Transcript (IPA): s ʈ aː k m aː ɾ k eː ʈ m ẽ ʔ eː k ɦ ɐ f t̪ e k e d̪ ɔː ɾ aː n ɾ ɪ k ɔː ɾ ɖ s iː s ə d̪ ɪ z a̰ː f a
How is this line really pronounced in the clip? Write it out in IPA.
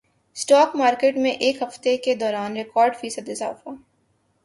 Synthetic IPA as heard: s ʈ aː k m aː ɾ k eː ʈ m ẽ ʔ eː k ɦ ɐ f t̪ e k e d̪ ɔː ɾ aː n ɾ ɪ k ɔː ɾ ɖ f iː s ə d̪ ɪ z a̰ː f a